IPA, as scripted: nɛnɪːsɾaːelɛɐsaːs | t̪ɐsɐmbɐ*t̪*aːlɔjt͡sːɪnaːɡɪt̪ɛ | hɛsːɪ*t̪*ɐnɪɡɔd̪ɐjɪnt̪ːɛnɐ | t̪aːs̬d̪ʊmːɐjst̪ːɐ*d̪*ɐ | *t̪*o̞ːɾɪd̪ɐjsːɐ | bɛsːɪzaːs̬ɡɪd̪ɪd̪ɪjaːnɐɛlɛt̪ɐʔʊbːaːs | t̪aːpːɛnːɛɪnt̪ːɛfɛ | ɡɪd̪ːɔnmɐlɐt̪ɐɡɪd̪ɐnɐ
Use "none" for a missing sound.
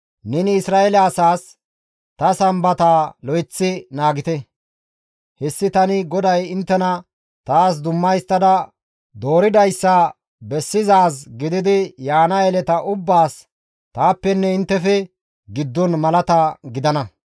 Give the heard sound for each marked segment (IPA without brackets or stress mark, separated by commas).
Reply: t̪, t̪, d̪, d̪